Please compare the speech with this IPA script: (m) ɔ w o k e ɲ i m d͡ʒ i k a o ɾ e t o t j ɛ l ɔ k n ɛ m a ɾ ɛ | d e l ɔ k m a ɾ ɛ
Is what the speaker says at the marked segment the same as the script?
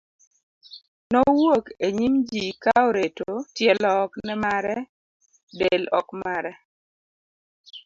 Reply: no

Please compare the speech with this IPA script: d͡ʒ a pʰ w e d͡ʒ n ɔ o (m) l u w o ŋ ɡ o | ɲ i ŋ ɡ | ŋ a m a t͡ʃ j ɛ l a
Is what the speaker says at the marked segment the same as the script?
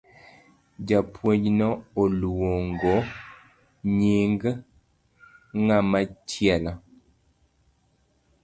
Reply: no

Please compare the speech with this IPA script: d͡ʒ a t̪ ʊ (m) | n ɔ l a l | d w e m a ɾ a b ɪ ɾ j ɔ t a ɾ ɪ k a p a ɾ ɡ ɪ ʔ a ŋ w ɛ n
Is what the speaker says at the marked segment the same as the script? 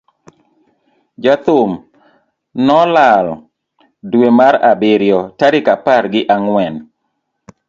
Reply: yes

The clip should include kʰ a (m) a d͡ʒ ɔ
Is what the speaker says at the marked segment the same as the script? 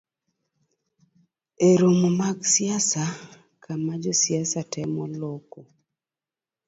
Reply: yes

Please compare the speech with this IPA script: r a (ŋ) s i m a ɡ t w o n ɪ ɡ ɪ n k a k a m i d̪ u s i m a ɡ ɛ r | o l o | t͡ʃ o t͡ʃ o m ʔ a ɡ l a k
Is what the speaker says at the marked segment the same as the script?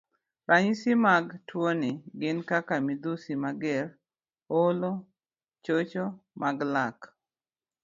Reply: no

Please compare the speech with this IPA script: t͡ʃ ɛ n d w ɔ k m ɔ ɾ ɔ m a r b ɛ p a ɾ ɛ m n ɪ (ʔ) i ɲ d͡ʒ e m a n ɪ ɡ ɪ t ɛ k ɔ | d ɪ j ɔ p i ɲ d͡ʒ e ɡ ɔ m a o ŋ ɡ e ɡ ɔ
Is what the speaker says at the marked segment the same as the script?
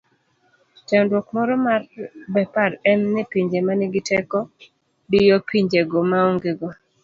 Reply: no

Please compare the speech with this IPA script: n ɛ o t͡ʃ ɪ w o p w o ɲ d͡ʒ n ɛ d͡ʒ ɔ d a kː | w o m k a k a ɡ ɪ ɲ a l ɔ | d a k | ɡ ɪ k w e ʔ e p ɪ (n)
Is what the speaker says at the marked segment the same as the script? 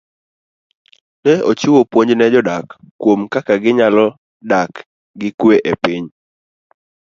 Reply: no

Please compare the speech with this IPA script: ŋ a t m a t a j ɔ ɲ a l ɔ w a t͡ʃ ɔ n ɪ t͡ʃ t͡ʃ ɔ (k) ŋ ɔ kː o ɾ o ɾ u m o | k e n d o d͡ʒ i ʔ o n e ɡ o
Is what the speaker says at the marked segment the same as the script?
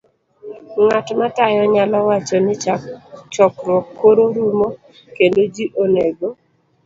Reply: yes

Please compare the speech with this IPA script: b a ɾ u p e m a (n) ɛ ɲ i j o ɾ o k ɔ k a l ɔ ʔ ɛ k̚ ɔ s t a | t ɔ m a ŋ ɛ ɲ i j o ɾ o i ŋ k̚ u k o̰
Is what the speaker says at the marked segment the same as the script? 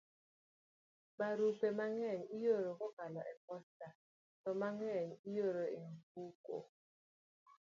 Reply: no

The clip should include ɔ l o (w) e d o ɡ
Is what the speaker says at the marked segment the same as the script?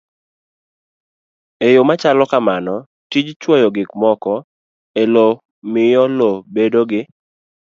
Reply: no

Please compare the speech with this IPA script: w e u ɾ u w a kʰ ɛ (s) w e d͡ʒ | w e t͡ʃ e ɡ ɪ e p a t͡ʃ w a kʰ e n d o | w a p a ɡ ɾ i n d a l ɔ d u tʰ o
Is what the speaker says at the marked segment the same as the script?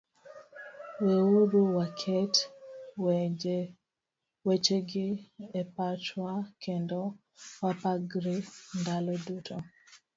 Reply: no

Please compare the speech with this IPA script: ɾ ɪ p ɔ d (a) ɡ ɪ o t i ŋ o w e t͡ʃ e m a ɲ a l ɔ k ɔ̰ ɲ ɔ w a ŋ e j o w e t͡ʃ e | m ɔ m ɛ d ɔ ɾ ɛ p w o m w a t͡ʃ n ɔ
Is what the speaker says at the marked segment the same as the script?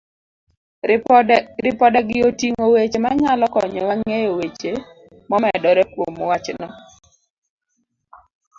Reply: no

